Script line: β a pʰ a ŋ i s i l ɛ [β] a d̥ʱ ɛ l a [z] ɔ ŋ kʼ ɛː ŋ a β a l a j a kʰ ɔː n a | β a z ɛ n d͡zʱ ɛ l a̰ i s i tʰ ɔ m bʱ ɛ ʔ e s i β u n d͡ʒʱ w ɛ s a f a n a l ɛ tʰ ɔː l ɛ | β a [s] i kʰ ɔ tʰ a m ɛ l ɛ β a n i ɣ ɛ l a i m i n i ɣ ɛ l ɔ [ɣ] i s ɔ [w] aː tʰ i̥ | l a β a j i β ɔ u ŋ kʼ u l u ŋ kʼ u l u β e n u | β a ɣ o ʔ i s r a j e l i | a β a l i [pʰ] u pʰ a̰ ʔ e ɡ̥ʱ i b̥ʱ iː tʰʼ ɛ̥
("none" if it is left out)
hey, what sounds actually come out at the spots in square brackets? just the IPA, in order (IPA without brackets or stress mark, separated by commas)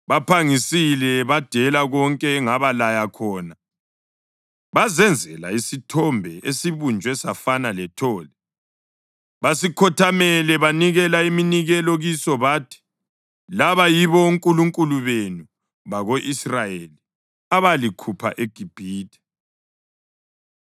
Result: β, ɣ, s, ɣ, β, kʰ